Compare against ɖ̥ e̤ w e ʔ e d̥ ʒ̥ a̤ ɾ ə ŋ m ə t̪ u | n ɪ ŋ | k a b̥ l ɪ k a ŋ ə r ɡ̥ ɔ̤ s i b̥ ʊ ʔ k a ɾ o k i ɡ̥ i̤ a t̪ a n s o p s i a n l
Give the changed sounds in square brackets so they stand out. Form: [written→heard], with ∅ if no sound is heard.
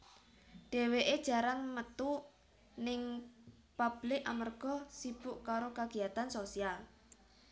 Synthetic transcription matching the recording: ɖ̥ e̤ w e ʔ e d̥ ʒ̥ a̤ ɾ [ə→a] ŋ m ə t̪ u | n ɪ ŋ | [k→p] a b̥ l ɪ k a [ŋ→m] ə r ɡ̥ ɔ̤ s i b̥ ʊ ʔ k a ɾ o k [i→a] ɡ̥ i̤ a t̪ a n s o [p→∅] s i a [n→∅] l